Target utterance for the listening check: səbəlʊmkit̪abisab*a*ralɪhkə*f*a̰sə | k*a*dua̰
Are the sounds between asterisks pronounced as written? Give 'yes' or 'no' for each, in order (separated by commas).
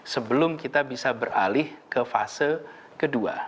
no, yes, no